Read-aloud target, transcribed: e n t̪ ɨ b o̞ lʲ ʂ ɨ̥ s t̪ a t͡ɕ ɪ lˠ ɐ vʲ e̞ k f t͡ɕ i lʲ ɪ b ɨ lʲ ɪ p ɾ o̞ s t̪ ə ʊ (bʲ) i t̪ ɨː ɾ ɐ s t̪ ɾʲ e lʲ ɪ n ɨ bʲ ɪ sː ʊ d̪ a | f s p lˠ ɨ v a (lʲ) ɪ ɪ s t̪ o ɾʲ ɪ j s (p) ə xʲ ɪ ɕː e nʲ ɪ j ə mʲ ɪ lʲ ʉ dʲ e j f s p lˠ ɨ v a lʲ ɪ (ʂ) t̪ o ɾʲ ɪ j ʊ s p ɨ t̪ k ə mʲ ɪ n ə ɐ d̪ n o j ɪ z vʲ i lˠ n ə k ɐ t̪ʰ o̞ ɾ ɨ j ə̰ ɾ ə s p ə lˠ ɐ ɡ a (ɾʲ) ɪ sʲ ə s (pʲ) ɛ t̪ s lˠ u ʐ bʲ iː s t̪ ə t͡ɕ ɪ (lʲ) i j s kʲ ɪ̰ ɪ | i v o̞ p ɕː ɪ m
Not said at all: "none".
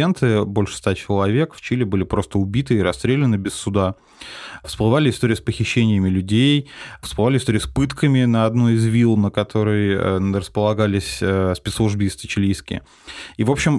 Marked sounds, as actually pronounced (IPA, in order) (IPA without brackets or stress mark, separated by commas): bʲ, lʲ, p, s, lʲ, pʲ, lʲ